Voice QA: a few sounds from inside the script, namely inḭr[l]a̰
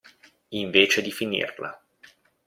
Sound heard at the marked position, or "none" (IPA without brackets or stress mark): l